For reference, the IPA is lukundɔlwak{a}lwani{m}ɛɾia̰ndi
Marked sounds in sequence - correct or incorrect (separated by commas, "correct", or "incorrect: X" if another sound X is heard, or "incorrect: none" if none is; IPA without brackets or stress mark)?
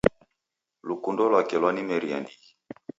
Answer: incorrect: ɛ, correct